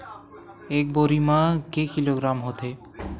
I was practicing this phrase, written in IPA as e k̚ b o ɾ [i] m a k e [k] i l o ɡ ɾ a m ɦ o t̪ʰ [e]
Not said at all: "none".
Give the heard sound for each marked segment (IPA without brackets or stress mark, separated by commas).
i, k, e